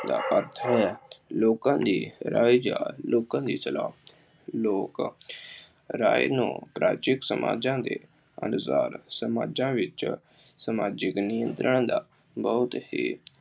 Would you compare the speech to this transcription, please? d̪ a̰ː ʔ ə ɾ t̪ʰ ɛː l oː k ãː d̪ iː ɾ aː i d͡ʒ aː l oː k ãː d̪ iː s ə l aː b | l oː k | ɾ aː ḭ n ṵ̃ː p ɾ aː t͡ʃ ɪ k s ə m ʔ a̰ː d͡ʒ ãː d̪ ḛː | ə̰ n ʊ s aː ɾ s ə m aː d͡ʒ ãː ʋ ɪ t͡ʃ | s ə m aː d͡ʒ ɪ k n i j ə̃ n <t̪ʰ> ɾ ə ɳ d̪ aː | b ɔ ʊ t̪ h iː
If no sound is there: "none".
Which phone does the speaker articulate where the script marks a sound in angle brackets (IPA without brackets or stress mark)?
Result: t̪